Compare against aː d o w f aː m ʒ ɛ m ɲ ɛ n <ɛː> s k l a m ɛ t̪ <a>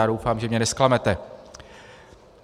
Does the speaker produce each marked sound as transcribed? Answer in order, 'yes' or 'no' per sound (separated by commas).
no, no